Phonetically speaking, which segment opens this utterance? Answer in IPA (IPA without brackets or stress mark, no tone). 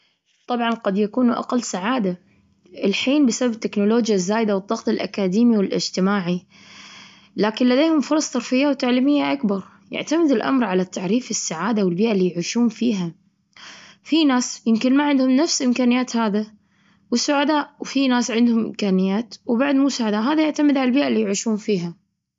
t̪ˤ